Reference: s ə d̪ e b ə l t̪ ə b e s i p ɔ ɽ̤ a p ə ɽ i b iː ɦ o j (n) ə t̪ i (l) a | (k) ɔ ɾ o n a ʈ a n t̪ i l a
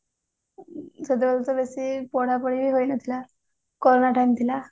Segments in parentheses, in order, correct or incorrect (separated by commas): correct, correct, correct